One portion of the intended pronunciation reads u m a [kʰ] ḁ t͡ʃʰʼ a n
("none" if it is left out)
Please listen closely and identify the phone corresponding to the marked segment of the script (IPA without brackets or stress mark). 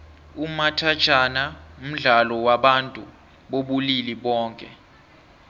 tʰ